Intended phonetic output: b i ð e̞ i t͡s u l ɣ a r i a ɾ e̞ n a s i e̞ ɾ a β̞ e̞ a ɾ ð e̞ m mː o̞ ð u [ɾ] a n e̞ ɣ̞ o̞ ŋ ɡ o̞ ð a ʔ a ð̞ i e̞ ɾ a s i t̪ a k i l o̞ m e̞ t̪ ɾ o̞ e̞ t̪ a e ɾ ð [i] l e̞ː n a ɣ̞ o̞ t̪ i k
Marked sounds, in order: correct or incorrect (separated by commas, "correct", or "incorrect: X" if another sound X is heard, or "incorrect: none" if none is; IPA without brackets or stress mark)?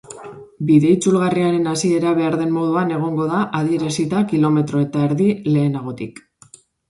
incorrect: none, correct